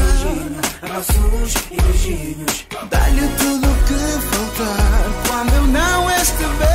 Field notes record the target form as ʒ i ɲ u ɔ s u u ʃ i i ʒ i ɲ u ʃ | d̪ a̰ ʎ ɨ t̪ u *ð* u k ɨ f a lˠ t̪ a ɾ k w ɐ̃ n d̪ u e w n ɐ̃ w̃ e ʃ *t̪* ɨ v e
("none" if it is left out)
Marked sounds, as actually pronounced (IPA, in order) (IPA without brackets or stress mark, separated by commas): ð, t̪